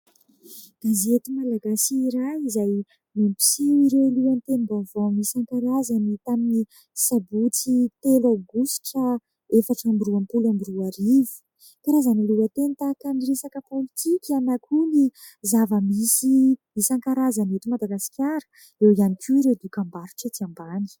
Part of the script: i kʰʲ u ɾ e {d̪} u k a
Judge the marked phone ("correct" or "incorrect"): correct